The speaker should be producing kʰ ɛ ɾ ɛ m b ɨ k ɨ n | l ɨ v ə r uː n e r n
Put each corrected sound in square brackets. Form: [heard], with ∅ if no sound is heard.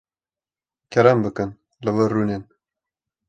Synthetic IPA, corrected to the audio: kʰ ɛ ɾ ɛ m b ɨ k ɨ n | l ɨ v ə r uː n e [∅] n